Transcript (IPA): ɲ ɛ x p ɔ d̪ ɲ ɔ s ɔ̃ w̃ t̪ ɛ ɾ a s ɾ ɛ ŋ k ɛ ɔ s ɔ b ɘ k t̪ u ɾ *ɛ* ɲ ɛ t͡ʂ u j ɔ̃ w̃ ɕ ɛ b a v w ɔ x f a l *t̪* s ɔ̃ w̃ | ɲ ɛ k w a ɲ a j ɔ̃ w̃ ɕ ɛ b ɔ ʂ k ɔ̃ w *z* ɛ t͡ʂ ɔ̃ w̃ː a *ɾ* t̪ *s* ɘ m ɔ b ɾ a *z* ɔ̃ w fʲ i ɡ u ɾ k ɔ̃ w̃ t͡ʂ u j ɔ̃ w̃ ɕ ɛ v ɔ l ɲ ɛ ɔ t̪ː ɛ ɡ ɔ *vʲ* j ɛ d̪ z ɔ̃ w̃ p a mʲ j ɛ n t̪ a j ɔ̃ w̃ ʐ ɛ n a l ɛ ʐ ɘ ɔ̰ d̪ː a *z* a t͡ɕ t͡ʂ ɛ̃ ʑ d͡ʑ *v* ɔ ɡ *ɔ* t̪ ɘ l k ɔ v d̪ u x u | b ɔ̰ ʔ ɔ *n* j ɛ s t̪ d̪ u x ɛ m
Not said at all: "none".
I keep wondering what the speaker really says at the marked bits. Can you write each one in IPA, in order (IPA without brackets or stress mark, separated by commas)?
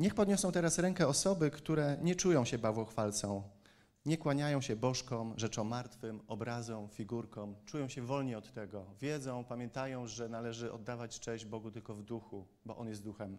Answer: ɛ, t̪, ʐ, ɾ, f, z, vʲ, v, b, u, n